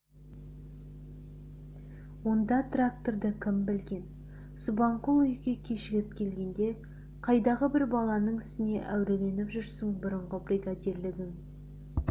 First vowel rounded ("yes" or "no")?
yes